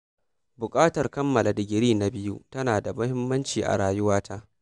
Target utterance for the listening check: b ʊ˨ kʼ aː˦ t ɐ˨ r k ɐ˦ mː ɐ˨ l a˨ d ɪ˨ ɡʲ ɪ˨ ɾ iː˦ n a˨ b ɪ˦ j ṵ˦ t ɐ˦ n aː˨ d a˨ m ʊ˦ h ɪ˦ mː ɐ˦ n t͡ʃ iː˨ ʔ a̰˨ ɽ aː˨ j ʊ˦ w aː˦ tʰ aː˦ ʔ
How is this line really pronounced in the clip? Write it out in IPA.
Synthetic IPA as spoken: b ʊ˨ kʼ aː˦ t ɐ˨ r k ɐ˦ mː ɐ˨ l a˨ d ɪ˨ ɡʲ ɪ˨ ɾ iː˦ n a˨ b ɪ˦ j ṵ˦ t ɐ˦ n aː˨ d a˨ m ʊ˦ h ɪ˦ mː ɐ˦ n t͡ʃ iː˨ ʔ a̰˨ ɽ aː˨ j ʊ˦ w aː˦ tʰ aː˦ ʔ